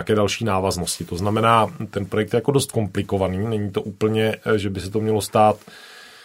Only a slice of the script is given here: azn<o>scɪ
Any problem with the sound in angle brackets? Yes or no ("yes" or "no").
no